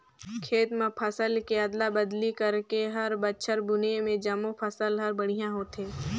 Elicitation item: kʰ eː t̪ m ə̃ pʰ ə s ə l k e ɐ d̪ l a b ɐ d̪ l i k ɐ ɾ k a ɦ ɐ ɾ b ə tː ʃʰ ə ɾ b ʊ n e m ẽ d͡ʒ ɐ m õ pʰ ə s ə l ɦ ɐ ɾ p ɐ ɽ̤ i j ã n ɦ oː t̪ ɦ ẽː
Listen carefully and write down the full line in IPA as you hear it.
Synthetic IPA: kʰ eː t̪ m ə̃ pʰ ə s ə l k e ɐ d̪ l a b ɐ d̪ l i k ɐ ɾ k e ɦ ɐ ɾ b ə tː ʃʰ ə ɾ b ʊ n e m ẽ d͡ʒ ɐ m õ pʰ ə s ə l ɦ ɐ ɾ b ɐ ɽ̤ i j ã ɦ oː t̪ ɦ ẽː